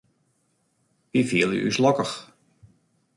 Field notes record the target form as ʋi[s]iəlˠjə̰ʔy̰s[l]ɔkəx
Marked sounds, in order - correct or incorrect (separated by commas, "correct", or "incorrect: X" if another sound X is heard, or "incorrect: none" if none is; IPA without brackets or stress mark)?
incorrect: f, correct